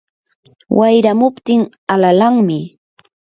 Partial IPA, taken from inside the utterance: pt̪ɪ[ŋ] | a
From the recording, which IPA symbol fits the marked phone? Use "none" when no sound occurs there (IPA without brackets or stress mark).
ŋ